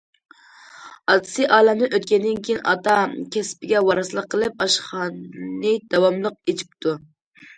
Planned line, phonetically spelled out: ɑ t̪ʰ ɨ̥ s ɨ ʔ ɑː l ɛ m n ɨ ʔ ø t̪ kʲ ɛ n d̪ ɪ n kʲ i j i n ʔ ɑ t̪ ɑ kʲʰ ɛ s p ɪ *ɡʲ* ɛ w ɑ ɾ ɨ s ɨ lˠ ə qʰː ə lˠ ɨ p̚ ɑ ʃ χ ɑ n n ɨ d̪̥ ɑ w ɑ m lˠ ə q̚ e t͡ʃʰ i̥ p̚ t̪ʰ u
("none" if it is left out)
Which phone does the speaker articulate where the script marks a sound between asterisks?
ɡʲ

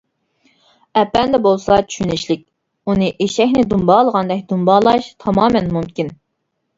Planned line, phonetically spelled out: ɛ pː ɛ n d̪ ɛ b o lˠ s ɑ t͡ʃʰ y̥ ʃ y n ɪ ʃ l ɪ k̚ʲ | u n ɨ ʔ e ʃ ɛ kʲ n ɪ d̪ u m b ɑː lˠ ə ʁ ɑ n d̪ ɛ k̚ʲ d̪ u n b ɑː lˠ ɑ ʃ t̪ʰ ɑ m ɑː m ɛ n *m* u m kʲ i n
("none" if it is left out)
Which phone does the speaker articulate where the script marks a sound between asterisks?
m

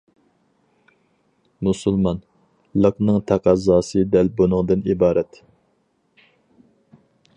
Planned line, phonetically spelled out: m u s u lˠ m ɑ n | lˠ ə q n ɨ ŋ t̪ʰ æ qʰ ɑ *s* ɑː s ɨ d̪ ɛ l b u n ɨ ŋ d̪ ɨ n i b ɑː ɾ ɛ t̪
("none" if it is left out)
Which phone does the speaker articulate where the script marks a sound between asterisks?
z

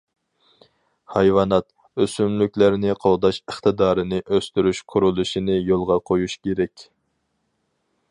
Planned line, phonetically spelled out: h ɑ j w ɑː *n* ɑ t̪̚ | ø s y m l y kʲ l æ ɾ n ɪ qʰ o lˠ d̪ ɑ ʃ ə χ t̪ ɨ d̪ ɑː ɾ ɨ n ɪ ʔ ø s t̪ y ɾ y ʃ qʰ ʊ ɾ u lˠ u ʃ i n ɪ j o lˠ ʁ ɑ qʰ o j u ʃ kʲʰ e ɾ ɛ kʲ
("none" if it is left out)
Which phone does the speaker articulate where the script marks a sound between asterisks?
n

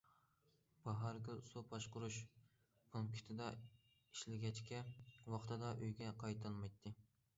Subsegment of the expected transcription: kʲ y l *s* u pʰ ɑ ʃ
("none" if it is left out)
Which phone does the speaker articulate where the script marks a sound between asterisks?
s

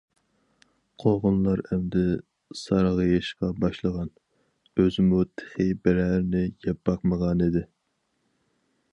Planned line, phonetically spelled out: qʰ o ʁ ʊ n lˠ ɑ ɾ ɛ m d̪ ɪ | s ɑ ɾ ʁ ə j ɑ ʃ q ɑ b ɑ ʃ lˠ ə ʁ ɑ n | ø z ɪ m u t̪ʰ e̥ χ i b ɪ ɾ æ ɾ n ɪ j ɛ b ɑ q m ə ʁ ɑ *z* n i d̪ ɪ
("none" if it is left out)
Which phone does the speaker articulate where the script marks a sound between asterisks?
none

